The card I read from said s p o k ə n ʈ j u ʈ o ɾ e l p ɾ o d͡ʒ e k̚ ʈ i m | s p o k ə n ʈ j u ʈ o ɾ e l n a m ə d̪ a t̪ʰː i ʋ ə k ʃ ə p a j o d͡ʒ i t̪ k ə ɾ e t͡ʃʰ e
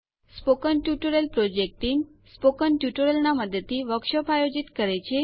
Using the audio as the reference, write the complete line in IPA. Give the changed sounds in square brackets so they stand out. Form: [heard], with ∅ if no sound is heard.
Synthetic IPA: s p o k ə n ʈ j u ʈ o ɾ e l p ɾ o d͡ʒ e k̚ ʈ i m | s p o k ə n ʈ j u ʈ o ɾ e l n a m ə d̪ [ə] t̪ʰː i ʋ ə k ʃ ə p a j o d͡ʒ i t̪ k ə ɾ e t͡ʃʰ e